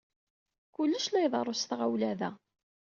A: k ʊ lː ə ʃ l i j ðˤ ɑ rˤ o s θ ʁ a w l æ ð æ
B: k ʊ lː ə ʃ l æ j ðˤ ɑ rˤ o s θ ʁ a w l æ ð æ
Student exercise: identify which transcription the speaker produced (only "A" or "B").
B